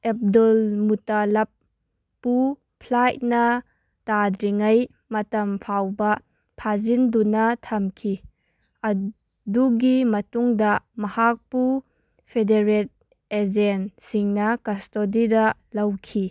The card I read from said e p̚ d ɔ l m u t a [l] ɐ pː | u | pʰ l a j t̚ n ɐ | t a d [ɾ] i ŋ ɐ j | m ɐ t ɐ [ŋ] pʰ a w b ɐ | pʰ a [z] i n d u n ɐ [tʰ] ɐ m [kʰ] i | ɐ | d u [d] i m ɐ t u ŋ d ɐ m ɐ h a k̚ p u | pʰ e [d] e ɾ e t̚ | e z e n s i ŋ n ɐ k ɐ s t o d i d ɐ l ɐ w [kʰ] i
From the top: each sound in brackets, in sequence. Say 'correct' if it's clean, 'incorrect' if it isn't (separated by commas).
correct, correct, incorrect, correct, correct, correct, incorrect, correct, correct